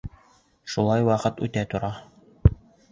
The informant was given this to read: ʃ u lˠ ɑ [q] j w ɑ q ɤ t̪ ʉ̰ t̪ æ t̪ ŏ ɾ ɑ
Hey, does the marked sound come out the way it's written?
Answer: no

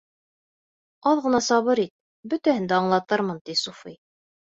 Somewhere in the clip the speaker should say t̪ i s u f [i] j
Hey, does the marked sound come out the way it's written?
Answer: yes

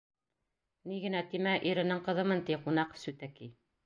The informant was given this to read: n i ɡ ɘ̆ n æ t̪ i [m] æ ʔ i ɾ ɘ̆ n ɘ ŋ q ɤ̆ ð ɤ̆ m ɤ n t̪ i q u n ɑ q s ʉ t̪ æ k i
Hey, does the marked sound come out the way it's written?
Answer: yes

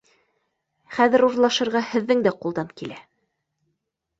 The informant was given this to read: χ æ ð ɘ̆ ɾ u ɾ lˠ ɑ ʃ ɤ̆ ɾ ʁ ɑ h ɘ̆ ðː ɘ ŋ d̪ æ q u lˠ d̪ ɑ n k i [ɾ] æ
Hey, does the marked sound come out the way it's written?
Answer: no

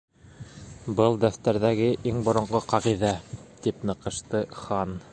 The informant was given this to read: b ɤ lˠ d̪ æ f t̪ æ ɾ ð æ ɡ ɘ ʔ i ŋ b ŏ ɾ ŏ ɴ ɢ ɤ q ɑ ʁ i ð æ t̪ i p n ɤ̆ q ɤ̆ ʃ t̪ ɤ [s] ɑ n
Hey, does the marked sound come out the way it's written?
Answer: no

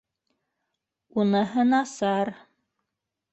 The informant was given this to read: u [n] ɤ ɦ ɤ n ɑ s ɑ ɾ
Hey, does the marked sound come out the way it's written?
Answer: yes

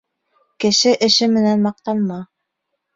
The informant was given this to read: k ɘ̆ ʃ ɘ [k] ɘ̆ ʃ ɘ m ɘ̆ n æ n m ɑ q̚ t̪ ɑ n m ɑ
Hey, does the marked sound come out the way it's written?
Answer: no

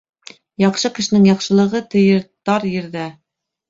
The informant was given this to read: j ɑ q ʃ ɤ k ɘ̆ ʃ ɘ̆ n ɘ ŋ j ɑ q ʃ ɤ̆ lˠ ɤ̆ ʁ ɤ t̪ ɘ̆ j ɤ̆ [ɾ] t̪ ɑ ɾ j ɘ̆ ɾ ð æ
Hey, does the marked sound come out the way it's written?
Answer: yes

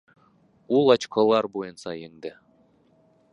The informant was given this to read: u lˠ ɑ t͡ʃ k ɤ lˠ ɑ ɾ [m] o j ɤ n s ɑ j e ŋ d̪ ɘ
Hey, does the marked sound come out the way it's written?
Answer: no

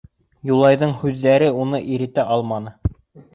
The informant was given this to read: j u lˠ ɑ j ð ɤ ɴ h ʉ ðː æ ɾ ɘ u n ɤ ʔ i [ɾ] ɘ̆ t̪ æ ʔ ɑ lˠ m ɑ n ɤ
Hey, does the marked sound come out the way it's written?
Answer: yes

